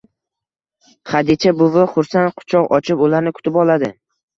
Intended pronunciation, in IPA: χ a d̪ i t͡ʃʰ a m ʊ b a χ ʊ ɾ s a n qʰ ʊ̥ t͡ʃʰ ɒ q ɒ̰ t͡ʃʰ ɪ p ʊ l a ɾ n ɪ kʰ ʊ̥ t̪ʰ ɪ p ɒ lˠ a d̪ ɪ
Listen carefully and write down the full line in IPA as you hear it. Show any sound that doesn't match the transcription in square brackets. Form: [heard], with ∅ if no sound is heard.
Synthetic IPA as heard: χ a d̪ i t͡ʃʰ a [b] ʊ [v] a χ ʊ ɾ s a n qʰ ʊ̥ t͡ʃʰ ɒ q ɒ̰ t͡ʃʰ ɪ p ʊ l a ɾ n ɪ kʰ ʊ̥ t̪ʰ ɪ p ɒ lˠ a d̪ ɪ